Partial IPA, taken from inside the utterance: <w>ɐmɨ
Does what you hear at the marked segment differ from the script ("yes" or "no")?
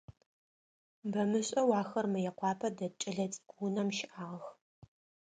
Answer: yes